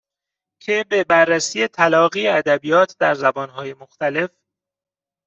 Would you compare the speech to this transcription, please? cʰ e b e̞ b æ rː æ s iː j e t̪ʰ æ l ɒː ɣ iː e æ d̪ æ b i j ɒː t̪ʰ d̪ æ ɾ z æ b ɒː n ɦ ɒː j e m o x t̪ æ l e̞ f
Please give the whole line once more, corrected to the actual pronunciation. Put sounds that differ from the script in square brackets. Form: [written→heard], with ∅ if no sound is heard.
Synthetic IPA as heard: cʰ e b e̞ b æ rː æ s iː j e t̪ʰ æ l ɒː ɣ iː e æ d̪ æ b i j ɒː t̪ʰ d̪ æ ɾ z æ b ɒː n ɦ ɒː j e m o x t̪ æ l e̞ f